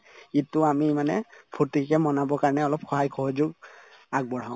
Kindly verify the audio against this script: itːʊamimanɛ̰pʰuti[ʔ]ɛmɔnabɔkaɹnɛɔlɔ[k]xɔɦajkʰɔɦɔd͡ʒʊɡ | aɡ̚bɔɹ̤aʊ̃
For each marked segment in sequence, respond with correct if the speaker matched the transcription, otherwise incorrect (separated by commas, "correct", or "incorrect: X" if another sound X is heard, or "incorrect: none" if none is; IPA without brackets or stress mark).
incorrect: k, incorrect: p